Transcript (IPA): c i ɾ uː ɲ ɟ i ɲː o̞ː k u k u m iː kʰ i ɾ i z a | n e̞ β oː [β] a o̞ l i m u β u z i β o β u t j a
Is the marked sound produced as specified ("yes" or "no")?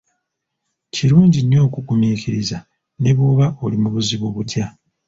yes